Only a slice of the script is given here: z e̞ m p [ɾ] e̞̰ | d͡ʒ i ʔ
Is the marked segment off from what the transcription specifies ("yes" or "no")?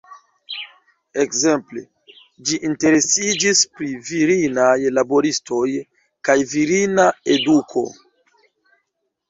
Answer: yes